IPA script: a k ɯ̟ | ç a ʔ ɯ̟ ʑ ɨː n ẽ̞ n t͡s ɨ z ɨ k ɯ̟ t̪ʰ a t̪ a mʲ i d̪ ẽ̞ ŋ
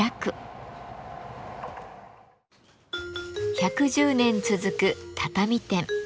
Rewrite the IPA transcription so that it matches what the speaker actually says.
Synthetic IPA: a k ɯ̟ | ç a k ɯ̟ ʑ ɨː n ẽ̞ n t͡s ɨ z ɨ k ɯ̟ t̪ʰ a t̪ a mʲ i t̪ ẽ̞ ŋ